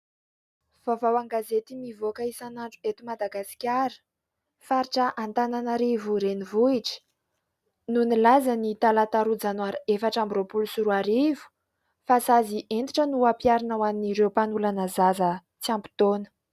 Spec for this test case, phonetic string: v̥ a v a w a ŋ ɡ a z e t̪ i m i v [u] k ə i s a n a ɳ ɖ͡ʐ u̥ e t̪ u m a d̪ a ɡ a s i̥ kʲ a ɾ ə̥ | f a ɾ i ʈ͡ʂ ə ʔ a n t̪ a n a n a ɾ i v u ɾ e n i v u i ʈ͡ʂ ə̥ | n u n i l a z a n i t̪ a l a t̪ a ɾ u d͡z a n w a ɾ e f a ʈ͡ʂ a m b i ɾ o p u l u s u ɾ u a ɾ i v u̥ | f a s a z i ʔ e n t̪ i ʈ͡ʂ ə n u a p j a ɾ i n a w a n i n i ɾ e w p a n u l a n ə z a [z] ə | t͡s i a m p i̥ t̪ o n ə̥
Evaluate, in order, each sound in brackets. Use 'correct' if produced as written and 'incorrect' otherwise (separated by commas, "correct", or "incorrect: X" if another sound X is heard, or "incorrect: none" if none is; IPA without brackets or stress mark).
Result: incorrect: o, correct